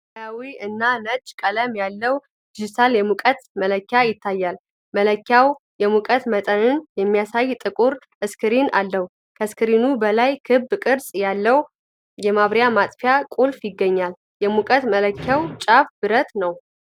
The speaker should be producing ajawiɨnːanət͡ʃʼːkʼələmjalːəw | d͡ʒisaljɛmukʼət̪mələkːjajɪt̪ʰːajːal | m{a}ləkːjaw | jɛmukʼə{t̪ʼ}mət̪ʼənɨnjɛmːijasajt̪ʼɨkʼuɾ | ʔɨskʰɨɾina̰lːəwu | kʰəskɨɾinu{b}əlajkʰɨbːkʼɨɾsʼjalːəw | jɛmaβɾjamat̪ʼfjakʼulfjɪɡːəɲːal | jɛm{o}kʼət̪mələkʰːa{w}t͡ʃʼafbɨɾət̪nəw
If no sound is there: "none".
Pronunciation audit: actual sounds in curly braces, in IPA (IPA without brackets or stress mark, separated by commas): ə, t̪, b, u, w